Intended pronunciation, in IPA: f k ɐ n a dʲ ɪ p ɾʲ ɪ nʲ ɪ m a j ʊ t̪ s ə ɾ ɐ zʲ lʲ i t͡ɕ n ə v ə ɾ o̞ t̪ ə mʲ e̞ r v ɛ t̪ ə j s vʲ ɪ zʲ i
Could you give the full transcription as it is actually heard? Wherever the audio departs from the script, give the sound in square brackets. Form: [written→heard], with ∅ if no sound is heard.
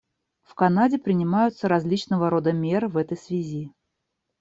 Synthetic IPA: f k ɐ n a dʲ ɪ p ɾʲ ɪ nʲ ɪ m a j ʊ t̪ s ə ɾ ɐ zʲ lʲ i t͡ɕ n ə v ə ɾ o̞ [t̪→d̪] ə mʲ e̞ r v ɛ t̪ ə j s vʲ ɪ zʲ i